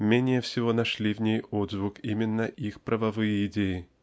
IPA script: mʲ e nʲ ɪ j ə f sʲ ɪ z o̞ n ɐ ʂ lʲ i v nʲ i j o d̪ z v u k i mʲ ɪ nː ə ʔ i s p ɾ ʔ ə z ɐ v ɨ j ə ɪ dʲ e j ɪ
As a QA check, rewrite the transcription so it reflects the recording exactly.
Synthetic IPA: mʲ e nʲ ɪ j ə f sʲ ɪ v o̞ n ɐ ʂ lʲ i v nʲ e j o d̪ z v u k i mʲ ɪ nː ə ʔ i x p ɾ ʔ ə v ɐ v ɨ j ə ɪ dʲ e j ɪ